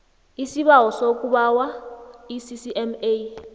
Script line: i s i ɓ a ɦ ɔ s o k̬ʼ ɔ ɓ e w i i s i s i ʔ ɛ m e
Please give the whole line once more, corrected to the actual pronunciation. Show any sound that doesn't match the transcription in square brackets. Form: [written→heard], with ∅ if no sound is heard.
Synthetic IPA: i s i ɓ a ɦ ɔ s o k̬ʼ [ɔ→u] ɓ [e→a] w [i→a] i s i s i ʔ ɛ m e